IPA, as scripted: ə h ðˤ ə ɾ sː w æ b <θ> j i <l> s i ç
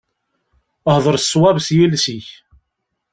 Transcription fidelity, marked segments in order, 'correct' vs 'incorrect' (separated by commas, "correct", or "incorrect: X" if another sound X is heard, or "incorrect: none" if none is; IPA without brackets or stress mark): incorrect: s, correct